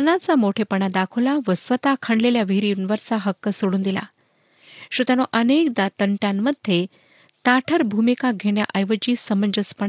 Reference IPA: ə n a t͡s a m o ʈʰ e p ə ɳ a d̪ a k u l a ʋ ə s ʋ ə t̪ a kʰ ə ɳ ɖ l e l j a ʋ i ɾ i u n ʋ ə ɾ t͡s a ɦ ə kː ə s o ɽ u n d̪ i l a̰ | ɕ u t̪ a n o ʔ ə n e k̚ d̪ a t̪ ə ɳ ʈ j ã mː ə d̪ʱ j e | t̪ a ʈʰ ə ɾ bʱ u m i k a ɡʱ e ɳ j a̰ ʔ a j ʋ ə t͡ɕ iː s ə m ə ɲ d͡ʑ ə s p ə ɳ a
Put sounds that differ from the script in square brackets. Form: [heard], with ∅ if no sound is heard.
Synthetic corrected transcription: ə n a t͡s a m o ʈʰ e p ə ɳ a d̪ a [kʰ] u l a ʋ ə s ʋ ə t̪ a kʰ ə ɳ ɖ l e l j a ʋ i ɾ i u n ʋ ə ɾ t͡s a ɦ ə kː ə s o ɽ [uː] n d̪ i l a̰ | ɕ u t̪ a n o ʔ ə n e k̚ d̪ a t̪ ə ɳ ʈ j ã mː ə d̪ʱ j e | t̪ a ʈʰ ə ɾ bʱ u m i k a ɡʱ e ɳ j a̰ ʔ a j ʋ ə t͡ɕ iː s ə m ə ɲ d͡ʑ ə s p ə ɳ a